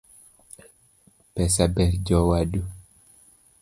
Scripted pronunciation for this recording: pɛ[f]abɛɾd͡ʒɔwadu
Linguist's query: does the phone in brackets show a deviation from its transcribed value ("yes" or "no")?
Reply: yes